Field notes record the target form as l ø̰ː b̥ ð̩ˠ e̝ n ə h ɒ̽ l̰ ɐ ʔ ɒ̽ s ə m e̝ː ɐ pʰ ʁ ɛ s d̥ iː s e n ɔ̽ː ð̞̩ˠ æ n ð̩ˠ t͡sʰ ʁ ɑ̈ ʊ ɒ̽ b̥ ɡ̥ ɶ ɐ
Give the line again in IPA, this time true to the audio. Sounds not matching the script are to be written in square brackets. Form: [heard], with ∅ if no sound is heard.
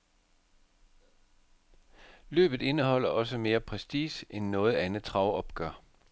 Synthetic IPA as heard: l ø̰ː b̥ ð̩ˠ e̝ n ə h ɒ̽ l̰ ɐ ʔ ɒ̽ s ə m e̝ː ɐ pʰ ʁ ɛ s d̥ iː s e [nː] ɔ̽ː ð̞̩ˠ æ n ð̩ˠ t͡sʰ ʁ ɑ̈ ʊ ɒ̽ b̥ ɡ̥ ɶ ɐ